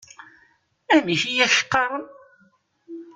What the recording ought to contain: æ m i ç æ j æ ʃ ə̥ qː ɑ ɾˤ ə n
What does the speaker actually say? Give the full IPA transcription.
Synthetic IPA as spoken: æ m i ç i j æ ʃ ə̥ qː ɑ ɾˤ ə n